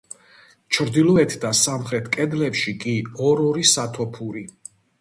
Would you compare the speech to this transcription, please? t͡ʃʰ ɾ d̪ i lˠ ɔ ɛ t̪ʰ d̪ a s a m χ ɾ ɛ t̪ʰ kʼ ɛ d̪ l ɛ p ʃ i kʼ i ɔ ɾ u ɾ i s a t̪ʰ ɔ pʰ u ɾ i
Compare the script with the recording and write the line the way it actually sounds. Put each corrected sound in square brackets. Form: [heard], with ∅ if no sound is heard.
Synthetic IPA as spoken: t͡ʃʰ ɾ d̪ i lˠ ɔ ɛ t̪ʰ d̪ a s a m χ ɾ ɛ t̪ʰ kʼ ɛ d̪ l ɛ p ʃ i kʼ i ɔ ɾ [ɔ] ɾ i s a t̪ʰ ɔ pʰ u ɾ i